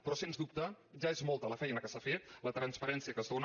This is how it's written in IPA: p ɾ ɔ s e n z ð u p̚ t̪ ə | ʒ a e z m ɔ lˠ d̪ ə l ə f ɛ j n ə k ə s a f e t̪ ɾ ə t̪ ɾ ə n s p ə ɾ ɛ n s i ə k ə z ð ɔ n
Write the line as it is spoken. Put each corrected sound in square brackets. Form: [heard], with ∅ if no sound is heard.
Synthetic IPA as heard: p ɾ ɔ s e n z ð u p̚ t̪ ə | ʒ a e z m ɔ lˠ [t̪] ə l ə f ɛ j n ə k ə s a f e t̪ [l] ə t̪ ɾ ə n s p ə ɾ ɛ n s i ə k ə z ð [o] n